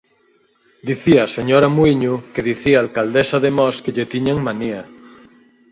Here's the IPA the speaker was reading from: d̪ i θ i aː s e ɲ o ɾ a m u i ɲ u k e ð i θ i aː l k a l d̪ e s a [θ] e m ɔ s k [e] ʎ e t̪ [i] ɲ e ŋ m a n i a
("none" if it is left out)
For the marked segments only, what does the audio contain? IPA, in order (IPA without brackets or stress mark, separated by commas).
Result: ð, e, i